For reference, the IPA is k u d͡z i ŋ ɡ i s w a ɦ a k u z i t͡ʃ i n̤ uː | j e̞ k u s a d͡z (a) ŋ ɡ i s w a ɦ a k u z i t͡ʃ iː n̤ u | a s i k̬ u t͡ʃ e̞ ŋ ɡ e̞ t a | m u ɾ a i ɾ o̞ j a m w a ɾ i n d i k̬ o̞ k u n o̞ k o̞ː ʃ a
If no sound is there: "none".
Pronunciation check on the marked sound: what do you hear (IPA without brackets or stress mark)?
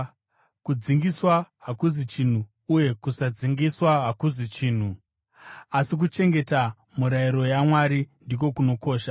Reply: i